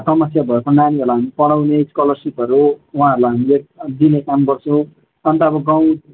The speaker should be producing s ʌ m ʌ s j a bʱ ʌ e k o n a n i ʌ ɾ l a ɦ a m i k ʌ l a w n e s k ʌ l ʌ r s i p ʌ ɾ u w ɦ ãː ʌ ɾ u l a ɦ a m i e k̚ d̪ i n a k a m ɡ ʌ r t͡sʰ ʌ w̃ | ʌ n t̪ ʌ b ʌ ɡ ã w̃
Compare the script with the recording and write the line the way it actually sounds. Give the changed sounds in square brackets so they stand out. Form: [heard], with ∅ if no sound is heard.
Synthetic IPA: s ʌ m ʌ s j a bʱ ʌ e k o n a n i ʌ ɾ l a ɦ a m i [p] ʌ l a w n e s k ʌ l ʌ r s i p ʌ ɾ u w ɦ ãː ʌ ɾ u l a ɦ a m i e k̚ d̪ i n [e] k a m ɡ ʌ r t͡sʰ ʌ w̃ | ʌ n t̪ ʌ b ʌ ɡ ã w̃